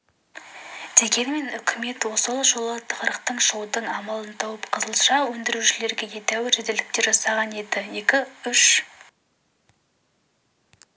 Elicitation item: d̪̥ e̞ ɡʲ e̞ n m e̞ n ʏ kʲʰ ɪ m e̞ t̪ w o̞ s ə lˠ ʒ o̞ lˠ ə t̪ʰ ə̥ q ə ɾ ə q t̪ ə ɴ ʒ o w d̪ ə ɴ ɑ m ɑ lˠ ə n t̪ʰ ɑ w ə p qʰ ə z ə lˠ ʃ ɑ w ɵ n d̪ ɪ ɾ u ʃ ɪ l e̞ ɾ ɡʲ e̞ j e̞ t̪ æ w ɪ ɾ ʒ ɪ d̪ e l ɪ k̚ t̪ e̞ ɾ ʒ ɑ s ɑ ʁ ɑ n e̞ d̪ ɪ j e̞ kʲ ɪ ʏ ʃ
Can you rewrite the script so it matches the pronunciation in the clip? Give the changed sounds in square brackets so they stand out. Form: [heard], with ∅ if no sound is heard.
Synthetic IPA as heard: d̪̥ e̞ ɡʲ e̞ n m e̞ n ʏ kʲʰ ɪ m e̞ t̪ w o̞ s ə lˠ ʒ o̞ lˠ ə t̪ʰ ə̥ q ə ɾ ə q t̪ ə ɴ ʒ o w d̪ ə ɴ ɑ m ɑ lˠ ə n t̪ʰ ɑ w ə p qʰ ə z ə lˠ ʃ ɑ w ɵ n d̪ ɪ ɾ u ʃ ɪ l e̞ ɾ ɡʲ e̞ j e̞ t̪ æ w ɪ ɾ ʒ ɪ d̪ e l ɪ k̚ t̪ e̞ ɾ ʒ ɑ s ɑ ʁ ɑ n e̞ d̪ ɪ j e̞ kʲ ɪ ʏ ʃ